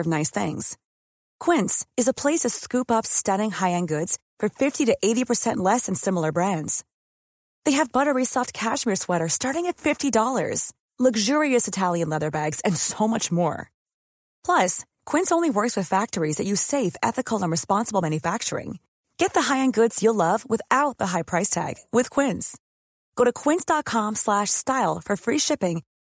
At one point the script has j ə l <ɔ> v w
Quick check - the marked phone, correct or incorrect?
incorrect